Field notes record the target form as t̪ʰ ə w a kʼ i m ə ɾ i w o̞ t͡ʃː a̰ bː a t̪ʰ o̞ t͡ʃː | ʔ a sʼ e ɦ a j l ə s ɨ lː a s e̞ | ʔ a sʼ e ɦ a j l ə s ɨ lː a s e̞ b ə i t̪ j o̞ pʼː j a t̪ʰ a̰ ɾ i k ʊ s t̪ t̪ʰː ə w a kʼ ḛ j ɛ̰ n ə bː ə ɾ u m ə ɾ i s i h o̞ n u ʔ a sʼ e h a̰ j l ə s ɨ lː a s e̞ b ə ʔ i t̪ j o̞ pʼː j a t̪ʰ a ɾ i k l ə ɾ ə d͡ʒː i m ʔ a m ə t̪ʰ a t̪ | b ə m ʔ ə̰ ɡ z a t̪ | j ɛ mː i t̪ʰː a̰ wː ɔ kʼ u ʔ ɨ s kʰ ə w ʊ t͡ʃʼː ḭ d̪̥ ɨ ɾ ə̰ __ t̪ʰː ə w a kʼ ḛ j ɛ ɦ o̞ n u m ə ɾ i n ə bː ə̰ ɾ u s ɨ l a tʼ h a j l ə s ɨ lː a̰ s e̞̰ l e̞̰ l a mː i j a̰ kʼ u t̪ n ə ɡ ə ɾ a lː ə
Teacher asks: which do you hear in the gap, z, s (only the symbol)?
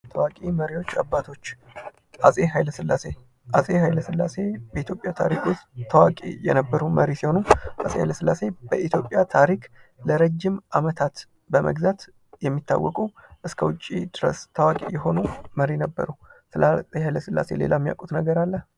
s